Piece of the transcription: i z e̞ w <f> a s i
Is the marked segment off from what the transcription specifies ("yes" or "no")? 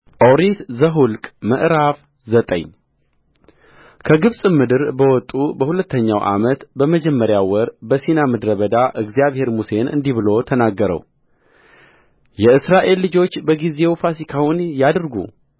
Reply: no